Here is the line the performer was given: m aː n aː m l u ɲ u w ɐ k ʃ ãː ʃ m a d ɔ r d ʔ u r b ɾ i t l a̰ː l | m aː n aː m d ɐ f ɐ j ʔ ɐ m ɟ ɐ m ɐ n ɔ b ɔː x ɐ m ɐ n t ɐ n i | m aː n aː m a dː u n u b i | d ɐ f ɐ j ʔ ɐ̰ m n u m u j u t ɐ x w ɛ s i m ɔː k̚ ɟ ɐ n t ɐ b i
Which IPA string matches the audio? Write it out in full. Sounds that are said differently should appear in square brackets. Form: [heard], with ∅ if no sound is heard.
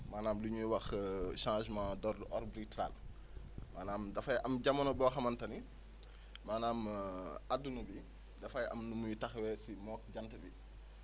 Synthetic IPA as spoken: m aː n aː m l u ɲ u w ɐ [x] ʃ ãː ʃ m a d ɔ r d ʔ [ɔ] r b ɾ i t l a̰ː l | m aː n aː m d ɐ f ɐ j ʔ ɐ m ɟ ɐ m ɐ n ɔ b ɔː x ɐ m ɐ n t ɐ n i | m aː n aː m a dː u n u b i | d ɐ f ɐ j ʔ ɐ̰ m n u m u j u t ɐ x w ɛ s i m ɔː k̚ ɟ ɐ n t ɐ b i